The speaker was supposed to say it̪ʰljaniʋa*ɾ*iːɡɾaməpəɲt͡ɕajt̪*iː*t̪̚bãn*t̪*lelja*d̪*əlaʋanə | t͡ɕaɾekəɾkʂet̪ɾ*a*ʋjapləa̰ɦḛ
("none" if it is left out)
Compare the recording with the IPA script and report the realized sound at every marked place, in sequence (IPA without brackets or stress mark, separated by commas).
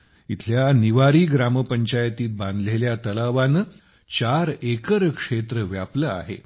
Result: ɾ, iː, d̪, t̪, ə